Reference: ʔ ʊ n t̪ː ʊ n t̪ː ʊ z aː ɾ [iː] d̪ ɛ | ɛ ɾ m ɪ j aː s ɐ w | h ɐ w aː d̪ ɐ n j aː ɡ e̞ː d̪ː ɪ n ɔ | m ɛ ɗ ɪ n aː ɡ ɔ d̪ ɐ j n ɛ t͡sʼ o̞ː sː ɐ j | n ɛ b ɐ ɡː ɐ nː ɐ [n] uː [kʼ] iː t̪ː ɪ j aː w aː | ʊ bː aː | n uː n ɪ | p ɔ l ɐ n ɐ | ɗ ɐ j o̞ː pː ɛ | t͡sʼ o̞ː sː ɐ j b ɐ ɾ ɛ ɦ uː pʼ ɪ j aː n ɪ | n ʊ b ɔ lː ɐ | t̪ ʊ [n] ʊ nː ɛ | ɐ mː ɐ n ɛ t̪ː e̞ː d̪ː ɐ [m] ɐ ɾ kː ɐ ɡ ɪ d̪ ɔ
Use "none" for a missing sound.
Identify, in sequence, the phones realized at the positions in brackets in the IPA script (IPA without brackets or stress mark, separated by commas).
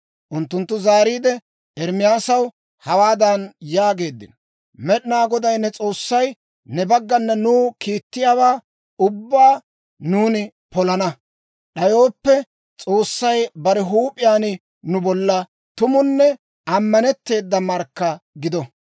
iː, n, k, m, m